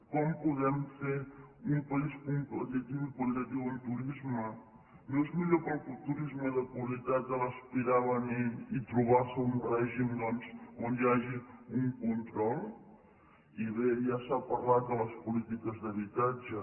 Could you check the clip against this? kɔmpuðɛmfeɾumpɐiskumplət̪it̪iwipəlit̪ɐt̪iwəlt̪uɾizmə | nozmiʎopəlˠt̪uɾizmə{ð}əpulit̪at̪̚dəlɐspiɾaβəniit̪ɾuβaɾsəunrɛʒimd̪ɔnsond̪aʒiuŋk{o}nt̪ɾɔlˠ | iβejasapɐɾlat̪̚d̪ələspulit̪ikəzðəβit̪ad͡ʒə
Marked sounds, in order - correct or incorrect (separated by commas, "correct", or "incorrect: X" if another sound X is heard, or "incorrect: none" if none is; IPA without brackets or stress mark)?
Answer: correct, incorrect: u